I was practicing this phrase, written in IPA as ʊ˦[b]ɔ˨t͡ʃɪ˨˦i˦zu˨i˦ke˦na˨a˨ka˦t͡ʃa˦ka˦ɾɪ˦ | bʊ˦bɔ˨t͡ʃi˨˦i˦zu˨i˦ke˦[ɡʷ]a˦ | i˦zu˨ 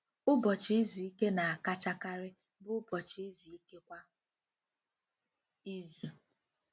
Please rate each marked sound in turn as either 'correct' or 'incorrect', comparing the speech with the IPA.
correct, incorrect

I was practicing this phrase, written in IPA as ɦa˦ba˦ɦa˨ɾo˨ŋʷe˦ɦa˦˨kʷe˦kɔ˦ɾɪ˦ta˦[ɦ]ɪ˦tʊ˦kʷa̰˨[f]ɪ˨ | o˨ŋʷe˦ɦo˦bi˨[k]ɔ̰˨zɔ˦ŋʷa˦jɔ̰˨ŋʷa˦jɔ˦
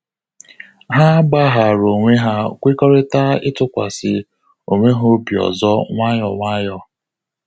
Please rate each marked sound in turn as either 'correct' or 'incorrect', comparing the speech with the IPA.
incorrect, incorrect, incorrect

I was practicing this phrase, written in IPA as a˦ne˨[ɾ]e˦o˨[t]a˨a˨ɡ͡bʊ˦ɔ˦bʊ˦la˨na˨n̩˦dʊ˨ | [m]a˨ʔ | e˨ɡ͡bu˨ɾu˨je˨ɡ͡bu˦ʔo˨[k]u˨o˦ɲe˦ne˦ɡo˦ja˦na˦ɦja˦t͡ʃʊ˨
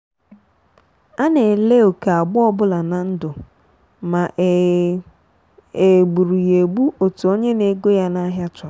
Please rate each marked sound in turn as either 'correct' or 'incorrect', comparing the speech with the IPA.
incorrect, incorrect, correct, incorrect

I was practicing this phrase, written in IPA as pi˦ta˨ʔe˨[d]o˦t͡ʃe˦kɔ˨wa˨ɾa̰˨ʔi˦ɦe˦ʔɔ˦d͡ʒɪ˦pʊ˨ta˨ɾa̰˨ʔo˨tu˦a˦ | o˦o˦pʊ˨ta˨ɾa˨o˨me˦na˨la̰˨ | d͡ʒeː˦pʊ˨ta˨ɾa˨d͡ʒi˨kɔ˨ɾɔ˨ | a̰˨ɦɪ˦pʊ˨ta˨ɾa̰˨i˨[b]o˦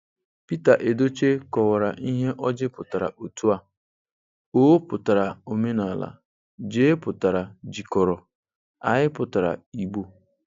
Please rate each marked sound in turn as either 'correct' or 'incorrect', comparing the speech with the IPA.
correct, incorrect

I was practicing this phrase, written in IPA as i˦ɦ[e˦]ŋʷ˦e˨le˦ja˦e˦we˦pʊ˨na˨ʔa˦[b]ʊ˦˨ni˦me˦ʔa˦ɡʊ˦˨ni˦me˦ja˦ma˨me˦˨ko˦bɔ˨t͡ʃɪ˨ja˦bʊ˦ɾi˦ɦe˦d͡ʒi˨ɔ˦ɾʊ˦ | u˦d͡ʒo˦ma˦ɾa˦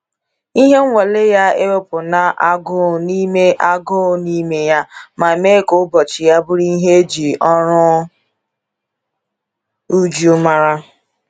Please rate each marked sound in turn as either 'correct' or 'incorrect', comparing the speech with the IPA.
correct, incorrect

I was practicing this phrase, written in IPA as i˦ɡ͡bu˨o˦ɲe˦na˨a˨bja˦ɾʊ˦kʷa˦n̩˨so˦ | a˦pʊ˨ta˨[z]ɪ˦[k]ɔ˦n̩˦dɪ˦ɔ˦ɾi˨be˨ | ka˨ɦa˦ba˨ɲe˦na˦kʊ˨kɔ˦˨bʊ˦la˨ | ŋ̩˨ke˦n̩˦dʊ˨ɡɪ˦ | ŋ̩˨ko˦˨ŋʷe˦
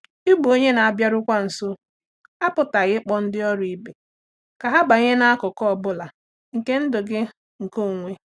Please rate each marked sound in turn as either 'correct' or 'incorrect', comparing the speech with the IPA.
incorrect, incorrect

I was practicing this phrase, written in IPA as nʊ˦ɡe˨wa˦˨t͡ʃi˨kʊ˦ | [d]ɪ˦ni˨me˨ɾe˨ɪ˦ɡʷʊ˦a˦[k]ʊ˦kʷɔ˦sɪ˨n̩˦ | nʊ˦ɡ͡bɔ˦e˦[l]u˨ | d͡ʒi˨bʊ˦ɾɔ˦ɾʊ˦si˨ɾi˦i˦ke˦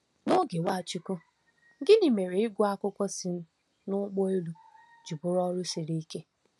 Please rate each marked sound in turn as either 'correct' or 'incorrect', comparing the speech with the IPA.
incorrect, correct, correct

